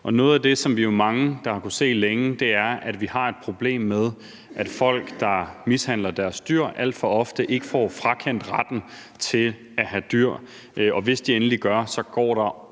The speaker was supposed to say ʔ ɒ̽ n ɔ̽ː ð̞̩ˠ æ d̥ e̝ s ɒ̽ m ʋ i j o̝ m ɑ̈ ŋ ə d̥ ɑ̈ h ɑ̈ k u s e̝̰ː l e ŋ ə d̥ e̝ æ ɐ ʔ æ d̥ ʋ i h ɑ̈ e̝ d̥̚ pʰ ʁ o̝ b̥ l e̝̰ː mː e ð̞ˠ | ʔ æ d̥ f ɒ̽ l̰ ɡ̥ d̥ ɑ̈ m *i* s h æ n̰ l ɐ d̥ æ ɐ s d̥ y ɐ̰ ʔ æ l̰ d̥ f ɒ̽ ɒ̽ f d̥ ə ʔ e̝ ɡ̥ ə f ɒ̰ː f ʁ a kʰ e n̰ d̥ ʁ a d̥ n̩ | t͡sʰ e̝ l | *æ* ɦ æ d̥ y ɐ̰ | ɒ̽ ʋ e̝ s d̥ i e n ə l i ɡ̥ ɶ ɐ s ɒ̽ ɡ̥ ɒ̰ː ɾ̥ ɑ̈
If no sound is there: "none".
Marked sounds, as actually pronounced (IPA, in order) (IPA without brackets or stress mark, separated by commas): i, æ